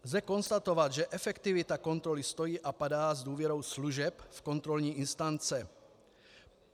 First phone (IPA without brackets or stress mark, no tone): z